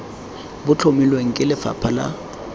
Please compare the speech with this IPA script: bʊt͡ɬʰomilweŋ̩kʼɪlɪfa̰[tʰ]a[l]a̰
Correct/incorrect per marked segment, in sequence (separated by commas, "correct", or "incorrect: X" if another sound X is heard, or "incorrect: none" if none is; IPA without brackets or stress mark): incorrect: pʰ, correct